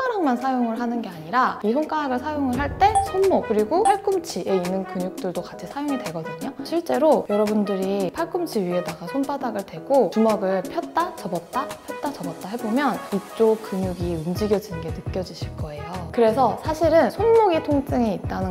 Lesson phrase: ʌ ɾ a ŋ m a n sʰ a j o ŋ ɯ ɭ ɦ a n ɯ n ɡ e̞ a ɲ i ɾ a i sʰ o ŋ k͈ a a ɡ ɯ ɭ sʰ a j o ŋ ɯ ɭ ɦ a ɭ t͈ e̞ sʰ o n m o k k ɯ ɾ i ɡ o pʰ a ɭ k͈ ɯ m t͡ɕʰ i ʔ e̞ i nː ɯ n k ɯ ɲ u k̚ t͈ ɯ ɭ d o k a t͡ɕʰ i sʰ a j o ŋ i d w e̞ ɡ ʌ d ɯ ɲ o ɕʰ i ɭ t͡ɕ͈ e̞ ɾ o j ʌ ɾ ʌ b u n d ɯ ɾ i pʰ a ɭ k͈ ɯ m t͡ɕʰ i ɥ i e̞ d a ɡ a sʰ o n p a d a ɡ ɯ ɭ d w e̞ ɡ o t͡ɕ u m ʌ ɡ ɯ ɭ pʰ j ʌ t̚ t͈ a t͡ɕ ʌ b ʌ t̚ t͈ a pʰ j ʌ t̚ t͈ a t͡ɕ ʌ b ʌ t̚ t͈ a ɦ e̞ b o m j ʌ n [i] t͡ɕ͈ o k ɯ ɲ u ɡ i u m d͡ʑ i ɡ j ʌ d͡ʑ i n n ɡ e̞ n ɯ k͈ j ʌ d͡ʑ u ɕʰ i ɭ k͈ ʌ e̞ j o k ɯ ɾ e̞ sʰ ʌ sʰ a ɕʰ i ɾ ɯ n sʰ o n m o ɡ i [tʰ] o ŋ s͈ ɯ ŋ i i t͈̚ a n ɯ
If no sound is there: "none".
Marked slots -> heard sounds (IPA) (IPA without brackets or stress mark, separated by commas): i, tʰ